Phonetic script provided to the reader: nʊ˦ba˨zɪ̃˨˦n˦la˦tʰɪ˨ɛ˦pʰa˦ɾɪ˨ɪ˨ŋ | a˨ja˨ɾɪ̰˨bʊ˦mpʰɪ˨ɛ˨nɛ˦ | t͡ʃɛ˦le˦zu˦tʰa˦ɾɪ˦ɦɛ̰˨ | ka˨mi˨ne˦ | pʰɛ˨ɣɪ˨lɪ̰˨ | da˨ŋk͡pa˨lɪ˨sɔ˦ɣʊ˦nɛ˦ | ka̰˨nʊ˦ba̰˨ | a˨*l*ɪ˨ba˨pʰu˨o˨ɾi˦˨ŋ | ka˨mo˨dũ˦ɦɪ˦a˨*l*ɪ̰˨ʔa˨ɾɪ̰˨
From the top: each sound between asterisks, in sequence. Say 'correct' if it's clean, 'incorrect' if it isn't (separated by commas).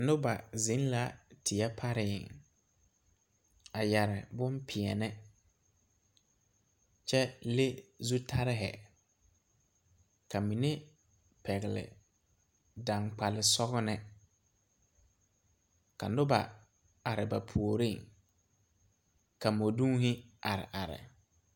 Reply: incorrect, incorrect